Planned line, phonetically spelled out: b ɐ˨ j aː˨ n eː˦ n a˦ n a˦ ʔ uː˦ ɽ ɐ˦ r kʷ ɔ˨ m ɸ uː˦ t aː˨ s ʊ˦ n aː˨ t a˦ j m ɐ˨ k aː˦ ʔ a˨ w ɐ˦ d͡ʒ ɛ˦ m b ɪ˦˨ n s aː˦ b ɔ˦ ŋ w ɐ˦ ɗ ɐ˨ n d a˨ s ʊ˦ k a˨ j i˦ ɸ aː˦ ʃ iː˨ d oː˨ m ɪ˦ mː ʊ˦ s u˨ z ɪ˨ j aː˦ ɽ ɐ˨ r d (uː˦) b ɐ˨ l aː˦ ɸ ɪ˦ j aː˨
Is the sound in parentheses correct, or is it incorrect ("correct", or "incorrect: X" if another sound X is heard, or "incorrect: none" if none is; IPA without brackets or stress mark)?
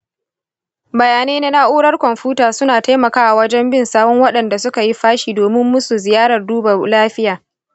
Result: correct